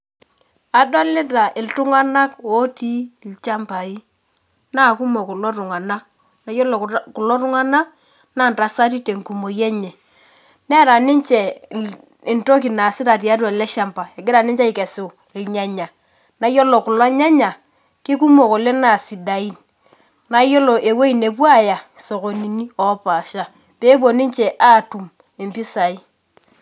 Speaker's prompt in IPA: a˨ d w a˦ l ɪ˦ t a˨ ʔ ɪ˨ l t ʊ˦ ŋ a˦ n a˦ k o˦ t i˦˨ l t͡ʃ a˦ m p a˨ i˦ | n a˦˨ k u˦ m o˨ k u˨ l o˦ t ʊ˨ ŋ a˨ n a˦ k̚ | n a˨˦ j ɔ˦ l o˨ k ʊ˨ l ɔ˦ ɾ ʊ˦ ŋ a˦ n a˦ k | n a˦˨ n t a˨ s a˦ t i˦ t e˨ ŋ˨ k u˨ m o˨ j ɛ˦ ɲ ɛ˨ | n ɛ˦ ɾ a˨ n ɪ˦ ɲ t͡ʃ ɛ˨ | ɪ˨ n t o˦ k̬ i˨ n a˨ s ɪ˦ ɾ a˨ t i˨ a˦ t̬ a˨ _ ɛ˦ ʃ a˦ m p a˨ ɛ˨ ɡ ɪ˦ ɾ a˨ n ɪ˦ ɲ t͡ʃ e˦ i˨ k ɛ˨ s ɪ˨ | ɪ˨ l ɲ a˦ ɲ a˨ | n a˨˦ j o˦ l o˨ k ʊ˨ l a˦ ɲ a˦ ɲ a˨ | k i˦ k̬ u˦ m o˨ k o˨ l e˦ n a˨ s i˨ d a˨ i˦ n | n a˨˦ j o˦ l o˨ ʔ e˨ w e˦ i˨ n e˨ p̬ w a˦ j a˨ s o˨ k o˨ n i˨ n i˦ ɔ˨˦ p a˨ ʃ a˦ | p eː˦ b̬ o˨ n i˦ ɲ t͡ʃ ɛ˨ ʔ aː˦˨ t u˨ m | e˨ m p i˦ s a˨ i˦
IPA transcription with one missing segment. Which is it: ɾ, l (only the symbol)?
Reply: l